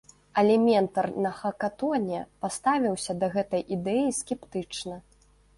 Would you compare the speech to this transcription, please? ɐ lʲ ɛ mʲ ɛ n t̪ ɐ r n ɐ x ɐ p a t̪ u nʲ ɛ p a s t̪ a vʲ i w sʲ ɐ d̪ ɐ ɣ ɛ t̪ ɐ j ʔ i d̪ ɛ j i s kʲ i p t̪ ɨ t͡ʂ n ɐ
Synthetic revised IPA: ɐ lʲ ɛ mʲ ɛ n t̪ ɐ r n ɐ x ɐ k a t̪ ɔ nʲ ɛ p a s t̪ a vʲ i w sʲ ɐ d̪ ɐ ɣ ɛ t̪ ɐ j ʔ i d̪ ɛ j i s kʲ ɛ p t̪ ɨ t͡ʂ n ɐ